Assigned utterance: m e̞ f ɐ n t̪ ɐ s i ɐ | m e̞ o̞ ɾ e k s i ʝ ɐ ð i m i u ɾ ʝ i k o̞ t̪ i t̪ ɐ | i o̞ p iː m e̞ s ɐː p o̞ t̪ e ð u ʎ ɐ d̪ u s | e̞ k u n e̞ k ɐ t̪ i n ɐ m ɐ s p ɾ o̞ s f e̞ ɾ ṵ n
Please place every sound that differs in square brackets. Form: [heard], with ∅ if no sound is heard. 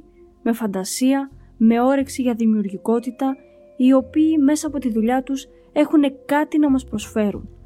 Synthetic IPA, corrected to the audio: m e̞ f ɐ n [d̪] ɐ s i ɐ | m e̞ o̞ ɾ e k s i ʝ ɐ ð i m i u ɾ ʝ i k o̞ t̪ i t̪ ɐ | i o̞ p iː m e̞ s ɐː p o̞ t̪ [i] ð u ʎ ɐ [t̪] u s | e̞ [x] u n e̞ k ɐ t̪ i n ɐ m ɐ s p ɾ o̞ s f e̞ ɾ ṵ n